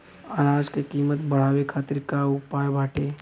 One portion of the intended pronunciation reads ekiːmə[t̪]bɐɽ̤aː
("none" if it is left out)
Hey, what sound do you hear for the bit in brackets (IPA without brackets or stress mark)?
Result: t̪